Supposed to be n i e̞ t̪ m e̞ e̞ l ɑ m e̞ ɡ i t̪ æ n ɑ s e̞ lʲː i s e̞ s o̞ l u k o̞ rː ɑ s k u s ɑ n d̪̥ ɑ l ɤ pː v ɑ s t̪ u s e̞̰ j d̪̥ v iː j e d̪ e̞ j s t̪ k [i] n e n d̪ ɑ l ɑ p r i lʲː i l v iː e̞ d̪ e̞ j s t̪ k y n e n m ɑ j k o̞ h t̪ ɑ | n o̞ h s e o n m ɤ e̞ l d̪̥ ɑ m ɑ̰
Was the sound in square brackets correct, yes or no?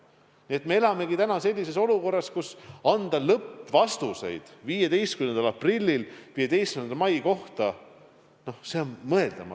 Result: no